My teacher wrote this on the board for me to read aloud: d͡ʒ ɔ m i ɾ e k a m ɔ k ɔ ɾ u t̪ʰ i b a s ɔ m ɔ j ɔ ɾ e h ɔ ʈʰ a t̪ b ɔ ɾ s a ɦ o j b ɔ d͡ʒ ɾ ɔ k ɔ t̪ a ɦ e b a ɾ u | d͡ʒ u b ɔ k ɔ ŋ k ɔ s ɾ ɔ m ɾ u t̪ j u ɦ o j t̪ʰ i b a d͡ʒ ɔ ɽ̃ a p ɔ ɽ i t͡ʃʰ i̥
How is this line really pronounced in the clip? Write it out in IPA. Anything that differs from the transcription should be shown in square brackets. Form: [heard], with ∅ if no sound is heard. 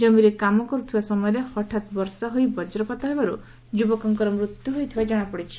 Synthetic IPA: d͡ʒ ɔ m i ɾ e k a m ɔ k ɔ ɾ u t̪ʰ i b a s ɔ m ɔ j ɔ ɾ e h ɔ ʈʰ a t̪ b ɔ ɾ s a ɦ o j b ɔ d͡ʒ ɾ ɔ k ɔ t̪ a ɦ e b a ɾ u | d͡ʒ u b ɔ k ɔ ŋ k ɔ [∅] ɾ ɔ m ɾ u t̪ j u ɦ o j t̪ʰ i b a d͡ʒ ɔ ɽ̃ a p ɔ ɽ i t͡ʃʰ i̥